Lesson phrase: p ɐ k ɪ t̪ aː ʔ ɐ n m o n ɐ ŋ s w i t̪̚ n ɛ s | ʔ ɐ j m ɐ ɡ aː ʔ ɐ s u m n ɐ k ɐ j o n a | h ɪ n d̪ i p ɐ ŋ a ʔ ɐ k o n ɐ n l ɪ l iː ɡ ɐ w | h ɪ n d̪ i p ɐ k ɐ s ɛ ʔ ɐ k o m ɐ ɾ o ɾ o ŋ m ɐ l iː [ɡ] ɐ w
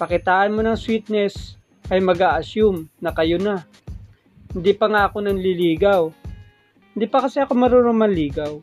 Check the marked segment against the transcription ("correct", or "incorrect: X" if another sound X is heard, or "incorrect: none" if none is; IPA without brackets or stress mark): correct